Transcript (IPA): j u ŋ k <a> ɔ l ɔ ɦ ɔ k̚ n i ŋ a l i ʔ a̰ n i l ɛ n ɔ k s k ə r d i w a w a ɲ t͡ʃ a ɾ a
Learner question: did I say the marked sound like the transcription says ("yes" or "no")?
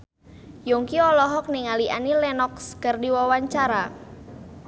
no